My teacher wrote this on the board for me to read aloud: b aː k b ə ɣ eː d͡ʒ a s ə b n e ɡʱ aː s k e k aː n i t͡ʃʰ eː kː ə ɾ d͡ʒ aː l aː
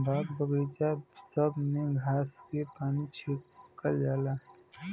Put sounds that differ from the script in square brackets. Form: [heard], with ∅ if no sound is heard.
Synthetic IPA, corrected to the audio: b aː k b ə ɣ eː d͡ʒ a s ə b n e ɡʱ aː s k e [p] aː n i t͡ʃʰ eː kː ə [l] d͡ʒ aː l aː